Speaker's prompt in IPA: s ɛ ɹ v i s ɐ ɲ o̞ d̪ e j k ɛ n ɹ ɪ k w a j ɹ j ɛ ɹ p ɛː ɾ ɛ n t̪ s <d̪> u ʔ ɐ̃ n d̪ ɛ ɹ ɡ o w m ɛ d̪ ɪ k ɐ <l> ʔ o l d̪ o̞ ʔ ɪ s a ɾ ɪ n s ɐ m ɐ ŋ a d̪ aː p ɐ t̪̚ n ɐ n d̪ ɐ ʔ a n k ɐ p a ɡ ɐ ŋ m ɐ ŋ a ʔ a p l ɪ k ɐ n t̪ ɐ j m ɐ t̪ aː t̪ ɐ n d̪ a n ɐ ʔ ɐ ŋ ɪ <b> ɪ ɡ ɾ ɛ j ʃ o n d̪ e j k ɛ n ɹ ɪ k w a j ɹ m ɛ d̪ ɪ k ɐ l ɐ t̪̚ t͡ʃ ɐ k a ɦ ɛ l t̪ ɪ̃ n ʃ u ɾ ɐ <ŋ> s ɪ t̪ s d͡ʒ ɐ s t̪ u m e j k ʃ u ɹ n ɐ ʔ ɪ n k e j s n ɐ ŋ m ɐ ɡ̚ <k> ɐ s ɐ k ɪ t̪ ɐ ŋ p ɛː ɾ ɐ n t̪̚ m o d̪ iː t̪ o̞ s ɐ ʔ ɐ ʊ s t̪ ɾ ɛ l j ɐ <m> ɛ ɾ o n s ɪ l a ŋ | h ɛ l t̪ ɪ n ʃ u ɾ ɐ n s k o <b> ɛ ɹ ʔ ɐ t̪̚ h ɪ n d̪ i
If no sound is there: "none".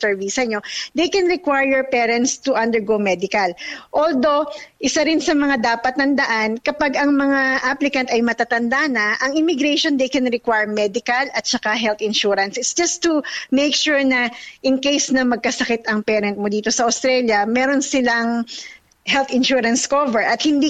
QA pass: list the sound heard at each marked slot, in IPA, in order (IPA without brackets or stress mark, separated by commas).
t̪, l, m, n, k, m, v